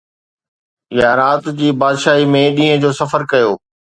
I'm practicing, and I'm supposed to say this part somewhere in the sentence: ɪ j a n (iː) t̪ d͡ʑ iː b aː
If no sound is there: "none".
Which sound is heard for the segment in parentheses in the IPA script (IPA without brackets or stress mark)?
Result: aː